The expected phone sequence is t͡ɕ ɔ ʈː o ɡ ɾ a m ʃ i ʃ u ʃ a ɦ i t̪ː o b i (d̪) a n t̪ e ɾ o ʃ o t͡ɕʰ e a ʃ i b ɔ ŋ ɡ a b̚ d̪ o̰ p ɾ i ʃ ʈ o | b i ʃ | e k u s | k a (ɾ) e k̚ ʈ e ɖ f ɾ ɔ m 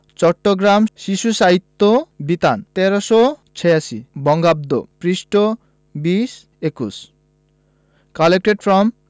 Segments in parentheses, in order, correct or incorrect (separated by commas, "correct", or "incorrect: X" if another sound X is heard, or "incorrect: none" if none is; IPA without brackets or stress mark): incorrect: t̪, incorrect: l